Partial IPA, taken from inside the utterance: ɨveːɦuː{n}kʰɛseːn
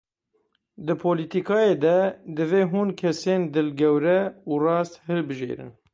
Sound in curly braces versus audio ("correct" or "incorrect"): correct